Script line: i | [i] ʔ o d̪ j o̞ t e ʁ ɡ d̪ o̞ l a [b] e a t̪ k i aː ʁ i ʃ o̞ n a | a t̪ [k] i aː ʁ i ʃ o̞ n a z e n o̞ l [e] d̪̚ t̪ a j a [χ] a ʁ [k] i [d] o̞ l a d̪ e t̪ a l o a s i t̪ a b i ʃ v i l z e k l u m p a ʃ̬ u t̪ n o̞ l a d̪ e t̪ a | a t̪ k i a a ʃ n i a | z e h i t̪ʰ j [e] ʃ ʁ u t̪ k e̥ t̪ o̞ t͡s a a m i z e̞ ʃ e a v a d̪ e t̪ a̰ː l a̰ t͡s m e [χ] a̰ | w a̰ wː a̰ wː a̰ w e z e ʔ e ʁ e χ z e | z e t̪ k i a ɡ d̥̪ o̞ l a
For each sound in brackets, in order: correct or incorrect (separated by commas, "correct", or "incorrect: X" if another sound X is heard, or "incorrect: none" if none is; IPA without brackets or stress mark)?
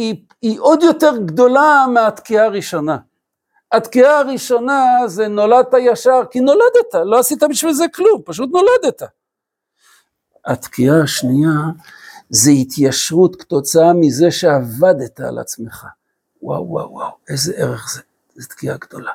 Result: correct, incorrect: m, correct, incorrect: a, incorrect: ʃ, correct, incorrect: n, incorrect: a, correct